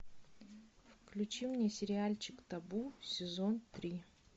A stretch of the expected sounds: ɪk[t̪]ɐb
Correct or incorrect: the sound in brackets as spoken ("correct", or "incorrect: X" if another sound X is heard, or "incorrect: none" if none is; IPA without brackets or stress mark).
correct